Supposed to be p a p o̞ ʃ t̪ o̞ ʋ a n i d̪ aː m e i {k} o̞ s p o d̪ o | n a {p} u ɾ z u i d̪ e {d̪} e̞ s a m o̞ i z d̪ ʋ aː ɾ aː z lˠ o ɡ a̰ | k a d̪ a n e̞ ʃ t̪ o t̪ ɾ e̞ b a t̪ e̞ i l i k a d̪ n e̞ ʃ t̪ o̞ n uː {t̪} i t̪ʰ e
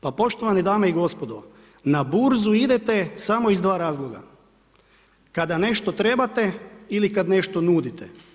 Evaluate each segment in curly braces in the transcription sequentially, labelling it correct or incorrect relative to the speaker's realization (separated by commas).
incorrect, incorrect, incorrect, incorrect